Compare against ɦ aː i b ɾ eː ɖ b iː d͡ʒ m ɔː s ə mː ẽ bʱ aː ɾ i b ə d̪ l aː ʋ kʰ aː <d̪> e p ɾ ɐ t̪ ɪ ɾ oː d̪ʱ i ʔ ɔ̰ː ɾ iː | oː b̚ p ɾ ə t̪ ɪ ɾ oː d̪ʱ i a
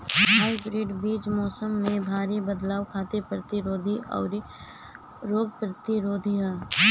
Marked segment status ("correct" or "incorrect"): incorrect